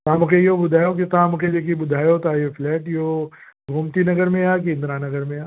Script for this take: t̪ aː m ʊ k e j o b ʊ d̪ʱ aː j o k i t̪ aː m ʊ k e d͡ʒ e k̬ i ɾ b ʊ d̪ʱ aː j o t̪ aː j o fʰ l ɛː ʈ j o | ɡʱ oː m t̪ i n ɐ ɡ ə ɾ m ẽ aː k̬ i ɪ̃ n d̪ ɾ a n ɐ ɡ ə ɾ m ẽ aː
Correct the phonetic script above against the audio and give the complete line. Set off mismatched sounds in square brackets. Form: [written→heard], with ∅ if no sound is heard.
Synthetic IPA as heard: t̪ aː m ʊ k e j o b ʊ d̪ʱ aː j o k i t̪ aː m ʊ k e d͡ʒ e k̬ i [ɾ→∅] b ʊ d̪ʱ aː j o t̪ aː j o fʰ l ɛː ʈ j o | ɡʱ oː m t̪ i n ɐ ɡ ə ɾ m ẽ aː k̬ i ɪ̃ n d̪ ɾ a n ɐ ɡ ə ɾ m ẽ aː